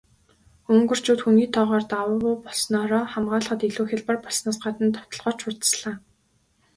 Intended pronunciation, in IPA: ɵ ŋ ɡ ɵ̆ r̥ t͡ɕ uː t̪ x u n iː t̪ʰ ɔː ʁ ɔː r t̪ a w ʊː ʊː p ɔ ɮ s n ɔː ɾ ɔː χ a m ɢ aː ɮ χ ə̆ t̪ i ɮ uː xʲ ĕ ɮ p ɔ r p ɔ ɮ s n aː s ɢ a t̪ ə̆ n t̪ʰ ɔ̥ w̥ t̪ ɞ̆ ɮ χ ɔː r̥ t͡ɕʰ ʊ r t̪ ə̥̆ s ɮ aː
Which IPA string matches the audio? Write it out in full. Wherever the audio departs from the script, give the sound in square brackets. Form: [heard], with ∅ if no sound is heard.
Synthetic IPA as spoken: ɵ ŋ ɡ ɵ̆ r̥ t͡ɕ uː t̪ x u n iː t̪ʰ ɔː ʁ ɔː r t̪ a w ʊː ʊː p ɔ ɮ s n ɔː ɾ ɔː χ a m ɢ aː ɮ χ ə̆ t̪ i ɮ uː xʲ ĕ ɮ p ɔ r p ɔ ɮ s n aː s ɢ a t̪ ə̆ n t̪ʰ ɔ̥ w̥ t̪ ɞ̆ ɮ [ʁ] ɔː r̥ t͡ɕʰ ʊ r t̪ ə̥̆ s ɮ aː